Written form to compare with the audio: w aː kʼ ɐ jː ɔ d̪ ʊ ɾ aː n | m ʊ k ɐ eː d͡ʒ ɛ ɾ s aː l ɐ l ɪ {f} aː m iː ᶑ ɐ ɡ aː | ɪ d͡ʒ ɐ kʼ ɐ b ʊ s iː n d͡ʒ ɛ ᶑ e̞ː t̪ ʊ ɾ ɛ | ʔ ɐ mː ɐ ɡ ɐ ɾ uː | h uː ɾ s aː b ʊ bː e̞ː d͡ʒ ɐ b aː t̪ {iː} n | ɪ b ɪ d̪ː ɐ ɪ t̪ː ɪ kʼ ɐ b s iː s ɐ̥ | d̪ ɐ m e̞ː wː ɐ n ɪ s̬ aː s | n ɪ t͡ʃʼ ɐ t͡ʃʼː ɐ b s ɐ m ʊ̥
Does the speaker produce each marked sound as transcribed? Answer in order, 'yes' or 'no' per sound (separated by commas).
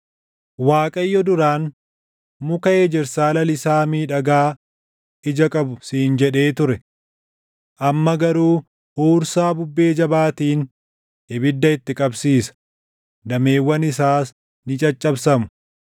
no, yes